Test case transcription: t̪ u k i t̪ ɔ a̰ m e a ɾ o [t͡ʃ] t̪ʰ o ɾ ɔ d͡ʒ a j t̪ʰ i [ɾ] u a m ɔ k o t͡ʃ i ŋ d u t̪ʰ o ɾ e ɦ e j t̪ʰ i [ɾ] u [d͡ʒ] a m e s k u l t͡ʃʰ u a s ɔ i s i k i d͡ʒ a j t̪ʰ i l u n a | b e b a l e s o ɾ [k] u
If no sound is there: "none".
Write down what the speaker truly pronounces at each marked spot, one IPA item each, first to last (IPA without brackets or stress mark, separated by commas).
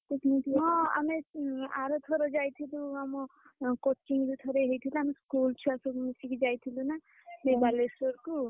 none, l, l, none, k